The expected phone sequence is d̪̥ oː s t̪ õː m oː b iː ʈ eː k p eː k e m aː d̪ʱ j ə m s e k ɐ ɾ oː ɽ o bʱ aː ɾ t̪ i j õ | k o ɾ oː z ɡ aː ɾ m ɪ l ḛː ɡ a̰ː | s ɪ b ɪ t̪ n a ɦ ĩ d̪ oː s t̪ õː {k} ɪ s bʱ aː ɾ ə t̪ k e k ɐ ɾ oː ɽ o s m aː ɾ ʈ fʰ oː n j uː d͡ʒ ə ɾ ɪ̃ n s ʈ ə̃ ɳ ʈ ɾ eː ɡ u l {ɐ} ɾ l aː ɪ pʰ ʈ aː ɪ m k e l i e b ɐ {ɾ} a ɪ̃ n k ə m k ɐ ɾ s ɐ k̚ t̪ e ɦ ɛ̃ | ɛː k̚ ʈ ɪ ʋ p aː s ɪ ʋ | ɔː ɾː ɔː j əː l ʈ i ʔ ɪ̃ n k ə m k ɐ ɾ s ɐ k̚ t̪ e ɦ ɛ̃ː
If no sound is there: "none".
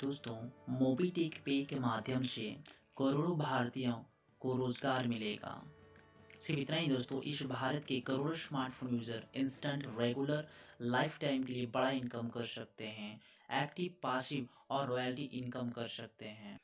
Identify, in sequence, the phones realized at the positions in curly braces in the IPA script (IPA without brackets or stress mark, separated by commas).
ʔ, ə, ɽ